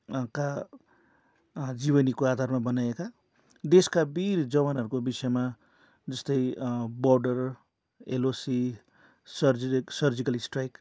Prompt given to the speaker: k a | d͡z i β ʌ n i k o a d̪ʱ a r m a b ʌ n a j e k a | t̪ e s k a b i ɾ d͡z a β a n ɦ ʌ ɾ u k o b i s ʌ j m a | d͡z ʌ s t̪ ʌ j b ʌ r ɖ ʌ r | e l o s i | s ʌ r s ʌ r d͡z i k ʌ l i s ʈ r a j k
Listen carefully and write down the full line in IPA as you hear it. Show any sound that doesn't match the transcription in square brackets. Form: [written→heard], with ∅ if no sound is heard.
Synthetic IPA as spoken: k a | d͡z i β ʌ n i k o a d̪ʱ a r m a b ʌ n a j e k a | [t̪→d̪] e s k a b i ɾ d͡z [a→ʌ] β a n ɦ ʌ ɾ u k o b i s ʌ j m a | d͡z ʌ s t̪ ʌ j b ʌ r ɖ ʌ r | e l o s i | s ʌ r s ʌ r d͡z i k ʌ l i s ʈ r a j k